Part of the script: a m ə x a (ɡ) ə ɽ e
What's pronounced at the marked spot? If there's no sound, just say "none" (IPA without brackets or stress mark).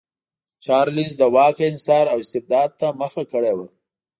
k